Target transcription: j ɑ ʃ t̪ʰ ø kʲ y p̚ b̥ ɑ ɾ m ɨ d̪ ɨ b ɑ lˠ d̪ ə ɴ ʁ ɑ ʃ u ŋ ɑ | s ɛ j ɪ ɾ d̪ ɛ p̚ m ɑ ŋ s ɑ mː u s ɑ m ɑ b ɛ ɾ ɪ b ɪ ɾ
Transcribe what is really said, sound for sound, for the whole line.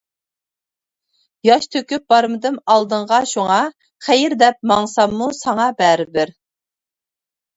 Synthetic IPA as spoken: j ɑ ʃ t̪ʰ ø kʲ y p̚ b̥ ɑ ɾ m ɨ d̪ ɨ m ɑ lˠ d̪ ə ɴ ʁ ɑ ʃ u ŋ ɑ | χ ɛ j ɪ ɾ d̪ ɛ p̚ m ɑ ŋ s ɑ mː u s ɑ ŋ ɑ b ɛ ɾ ɪ b ɪ ɾ

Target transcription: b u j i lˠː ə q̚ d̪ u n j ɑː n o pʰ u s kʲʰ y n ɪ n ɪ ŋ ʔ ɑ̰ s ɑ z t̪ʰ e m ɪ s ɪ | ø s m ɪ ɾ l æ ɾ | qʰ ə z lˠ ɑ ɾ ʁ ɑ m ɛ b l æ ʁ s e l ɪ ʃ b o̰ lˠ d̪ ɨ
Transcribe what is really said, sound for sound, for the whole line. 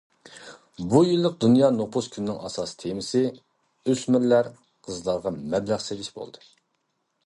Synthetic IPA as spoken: b u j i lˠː ə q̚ d̪ u n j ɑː n o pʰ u s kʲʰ y n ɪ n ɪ ŋ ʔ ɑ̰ s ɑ s t̪ʰ e m ɪ s ɪ | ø s m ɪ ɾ l æ ɾ | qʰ ə z lˠ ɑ ɾ ʁ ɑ m ɛ b l æ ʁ s e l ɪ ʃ b o̰ lˠ d̪ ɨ

